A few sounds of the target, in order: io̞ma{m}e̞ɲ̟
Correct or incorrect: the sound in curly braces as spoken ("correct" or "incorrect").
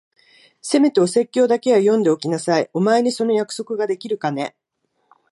incorrect